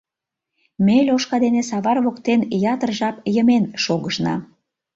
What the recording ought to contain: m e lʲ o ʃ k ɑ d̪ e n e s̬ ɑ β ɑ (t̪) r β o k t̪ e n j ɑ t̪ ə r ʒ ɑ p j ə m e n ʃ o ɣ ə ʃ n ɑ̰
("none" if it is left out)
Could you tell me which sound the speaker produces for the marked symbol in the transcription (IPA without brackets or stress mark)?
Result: none